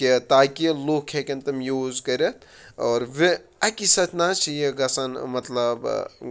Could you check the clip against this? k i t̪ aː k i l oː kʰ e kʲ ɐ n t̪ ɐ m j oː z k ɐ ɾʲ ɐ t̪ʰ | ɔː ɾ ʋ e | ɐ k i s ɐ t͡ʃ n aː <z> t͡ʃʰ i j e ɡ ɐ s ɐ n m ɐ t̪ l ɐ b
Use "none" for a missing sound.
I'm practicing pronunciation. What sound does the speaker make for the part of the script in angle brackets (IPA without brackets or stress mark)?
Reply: none